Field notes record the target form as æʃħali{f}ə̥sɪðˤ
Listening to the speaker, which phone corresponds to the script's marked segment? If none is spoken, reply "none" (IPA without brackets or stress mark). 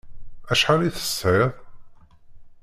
θ